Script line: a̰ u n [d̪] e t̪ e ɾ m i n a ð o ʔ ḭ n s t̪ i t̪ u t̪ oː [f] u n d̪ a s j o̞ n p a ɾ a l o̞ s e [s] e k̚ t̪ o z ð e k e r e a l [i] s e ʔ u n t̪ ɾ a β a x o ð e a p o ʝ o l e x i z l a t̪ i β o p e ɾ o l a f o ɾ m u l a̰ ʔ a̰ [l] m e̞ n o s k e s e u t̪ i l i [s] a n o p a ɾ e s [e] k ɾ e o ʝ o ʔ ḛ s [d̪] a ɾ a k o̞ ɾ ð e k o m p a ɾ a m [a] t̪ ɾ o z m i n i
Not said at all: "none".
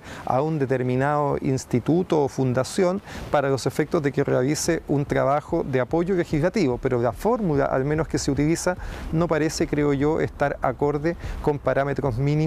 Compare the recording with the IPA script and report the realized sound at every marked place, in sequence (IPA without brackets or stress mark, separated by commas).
d̪, f, f, i, l, s, e, t̪, e